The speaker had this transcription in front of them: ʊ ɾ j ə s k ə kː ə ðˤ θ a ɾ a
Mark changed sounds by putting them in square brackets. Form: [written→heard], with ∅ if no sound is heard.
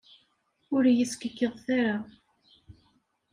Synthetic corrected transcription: ʊ ɾ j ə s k ə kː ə ðˤ θ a ɾ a